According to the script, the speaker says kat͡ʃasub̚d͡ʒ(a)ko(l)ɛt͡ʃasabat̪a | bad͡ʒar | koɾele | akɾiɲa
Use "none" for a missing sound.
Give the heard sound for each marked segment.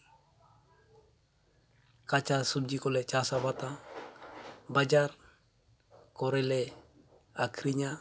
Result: i, l

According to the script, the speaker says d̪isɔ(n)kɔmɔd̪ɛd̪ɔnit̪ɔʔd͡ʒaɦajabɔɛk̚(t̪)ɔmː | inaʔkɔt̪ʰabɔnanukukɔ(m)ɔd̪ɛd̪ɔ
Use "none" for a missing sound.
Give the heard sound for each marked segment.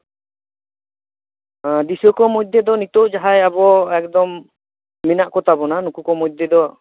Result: none, d̪, m

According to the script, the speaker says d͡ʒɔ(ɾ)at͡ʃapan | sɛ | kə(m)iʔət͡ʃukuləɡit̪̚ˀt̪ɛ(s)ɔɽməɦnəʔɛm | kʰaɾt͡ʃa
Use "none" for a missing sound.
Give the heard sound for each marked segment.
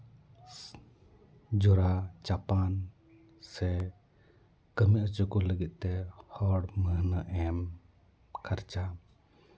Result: ɾ, m, h

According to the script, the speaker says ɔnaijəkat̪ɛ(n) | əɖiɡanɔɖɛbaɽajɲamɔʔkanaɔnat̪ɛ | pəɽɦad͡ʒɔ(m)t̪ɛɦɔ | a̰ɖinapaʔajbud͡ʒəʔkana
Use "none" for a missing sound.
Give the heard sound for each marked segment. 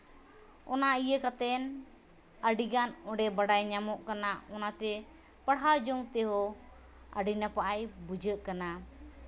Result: n, ŋ

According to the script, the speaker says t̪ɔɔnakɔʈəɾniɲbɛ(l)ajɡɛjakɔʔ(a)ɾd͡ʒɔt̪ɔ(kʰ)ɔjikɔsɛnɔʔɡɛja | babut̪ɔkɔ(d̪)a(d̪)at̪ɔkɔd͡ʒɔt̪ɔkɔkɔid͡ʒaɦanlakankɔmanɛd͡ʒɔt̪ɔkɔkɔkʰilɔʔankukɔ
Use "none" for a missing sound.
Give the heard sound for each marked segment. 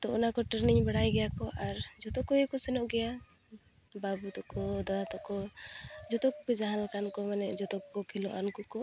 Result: ɽ, a, k, d̪, d̪

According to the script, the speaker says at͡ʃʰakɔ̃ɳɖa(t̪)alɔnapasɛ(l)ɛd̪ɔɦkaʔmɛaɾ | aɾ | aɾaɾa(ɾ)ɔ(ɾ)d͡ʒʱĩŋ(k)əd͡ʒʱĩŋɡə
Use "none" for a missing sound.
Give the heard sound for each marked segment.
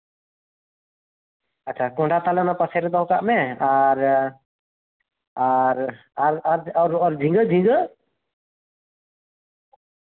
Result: t̪, ɾ, ɾ, ɾ, ɡ

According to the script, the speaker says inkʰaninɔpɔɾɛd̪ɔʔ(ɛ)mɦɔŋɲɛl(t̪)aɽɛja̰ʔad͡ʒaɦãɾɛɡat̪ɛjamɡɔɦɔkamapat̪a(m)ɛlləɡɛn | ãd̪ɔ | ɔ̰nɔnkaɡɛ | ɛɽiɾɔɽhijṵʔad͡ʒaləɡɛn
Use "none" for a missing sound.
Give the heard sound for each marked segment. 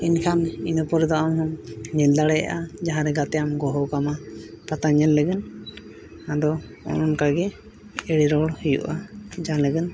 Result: a, d̪, ɲ

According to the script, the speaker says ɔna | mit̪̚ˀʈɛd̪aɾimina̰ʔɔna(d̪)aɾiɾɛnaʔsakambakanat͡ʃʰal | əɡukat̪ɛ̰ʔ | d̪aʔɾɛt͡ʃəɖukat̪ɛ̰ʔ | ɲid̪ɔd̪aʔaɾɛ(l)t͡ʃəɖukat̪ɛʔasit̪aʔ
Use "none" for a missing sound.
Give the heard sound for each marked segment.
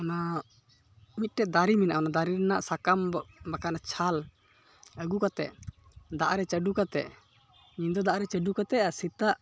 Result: d̪, none

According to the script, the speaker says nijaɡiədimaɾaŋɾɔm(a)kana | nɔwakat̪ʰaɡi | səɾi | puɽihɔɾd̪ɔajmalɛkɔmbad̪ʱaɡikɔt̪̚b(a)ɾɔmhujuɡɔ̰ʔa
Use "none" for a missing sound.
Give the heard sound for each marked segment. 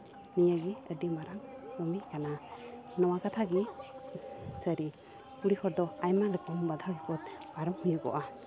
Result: i, a

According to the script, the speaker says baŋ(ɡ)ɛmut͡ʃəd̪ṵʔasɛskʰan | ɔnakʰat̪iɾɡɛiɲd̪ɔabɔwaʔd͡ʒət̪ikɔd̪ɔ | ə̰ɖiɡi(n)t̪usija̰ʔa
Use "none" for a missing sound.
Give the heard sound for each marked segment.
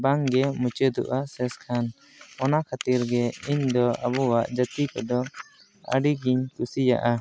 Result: ɡ, ɲ

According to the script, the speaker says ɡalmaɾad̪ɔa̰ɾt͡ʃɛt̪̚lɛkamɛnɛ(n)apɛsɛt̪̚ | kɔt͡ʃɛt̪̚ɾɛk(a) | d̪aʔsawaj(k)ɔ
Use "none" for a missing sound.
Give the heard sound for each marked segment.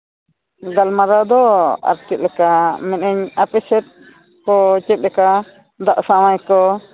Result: ɲ, a, k

